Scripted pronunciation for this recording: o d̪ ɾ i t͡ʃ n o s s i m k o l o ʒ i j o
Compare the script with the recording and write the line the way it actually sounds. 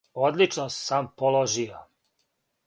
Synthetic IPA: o d̪ l i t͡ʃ n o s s a m p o l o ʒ i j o

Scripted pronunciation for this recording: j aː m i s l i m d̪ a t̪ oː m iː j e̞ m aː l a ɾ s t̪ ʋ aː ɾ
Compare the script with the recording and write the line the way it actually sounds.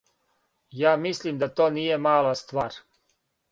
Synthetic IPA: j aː m i s l i m d̪ a t̪ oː n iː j e̞ m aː l a s t̪ ʋ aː ɾ

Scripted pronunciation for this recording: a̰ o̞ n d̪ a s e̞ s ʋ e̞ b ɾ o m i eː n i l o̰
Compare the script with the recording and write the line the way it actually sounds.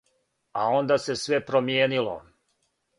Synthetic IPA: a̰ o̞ n d̪ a s e̞ s ʋ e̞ p ɾ o m j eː n i l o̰

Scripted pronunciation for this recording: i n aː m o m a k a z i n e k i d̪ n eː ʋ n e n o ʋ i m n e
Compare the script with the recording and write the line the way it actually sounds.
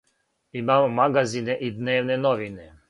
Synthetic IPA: i m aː m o m a ɡ a z i n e ʔ i d̪ n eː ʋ n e n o ʋ i n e

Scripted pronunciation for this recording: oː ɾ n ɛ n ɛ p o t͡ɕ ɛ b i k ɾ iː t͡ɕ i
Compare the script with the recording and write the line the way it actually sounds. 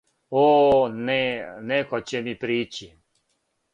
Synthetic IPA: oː n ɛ n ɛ k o t͡ɕ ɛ m i p ɾ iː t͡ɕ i

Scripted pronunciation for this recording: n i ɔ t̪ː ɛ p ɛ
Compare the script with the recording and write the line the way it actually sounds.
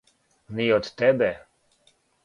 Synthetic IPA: n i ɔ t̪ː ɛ b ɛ

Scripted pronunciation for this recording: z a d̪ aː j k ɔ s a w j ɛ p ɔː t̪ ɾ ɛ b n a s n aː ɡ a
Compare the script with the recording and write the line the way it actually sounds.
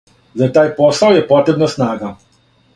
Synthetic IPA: z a t̪ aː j p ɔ s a w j ɛ p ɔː t̪ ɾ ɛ b n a s n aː ɡ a

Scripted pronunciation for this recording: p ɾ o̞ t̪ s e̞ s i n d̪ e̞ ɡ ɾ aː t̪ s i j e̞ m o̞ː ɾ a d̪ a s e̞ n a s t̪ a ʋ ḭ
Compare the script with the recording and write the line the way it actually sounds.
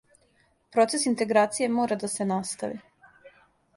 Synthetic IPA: p ɾ o̞ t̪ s e̞ s i n t̪ e̞ ɡ ɾ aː t̪ s i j e̞ m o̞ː ɾ a d̪ a s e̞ n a s t̪ a ʋ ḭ

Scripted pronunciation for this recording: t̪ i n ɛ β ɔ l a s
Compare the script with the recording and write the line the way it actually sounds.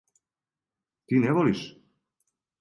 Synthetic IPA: t̪ i n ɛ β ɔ l i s

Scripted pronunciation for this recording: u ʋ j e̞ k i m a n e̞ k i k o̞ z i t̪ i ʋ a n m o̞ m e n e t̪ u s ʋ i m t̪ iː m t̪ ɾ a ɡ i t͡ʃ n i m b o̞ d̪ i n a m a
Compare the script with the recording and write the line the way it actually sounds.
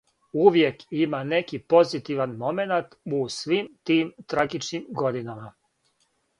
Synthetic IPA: u ʋ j e̞ k i m a n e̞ k i p o̞ z i t̪ i ʋ a n m o̞ m e n a t̪ u s ʋ i m t̪ iː m t̪ ɾ a ɡ i t͡ʃ n i m ɡ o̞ d̪ i n a m a

